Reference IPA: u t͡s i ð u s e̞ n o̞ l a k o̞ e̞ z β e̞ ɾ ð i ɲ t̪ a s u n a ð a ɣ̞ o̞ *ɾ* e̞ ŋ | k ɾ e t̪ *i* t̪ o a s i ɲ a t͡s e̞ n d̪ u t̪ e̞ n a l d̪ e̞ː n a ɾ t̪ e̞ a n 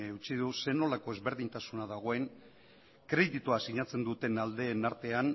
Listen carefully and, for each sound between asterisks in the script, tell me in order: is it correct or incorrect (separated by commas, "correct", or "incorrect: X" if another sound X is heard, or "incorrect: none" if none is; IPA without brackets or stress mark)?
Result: incorrect: none, correct